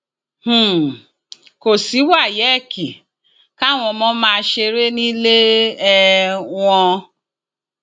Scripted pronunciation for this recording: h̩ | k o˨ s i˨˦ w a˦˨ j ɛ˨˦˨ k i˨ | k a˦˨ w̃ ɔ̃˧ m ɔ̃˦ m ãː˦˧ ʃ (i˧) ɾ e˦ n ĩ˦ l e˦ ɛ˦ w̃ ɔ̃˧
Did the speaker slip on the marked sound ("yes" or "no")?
yes